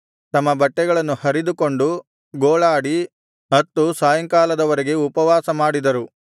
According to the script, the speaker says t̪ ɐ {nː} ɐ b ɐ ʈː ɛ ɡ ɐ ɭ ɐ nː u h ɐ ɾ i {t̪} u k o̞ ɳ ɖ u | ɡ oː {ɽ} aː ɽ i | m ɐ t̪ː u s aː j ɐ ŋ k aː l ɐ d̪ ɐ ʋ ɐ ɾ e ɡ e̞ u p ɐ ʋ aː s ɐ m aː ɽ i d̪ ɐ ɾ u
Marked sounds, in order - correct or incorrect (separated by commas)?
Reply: incorrect, incorrect, incorrect